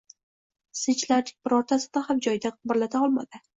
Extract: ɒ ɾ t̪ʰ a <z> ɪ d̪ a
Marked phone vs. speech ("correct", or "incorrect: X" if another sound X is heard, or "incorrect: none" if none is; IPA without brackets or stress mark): incorrect: s